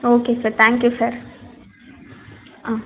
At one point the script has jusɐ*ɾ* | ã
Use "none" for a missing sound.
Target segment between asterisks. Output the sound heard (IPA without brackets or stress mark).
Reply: ɾ